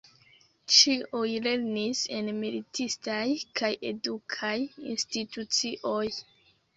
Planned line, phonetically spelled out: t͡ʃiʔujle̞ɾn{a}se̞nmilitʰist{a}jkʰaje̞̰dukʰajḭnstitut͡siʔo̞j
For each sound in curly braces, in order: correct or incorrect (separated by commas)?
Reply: incorrect, correct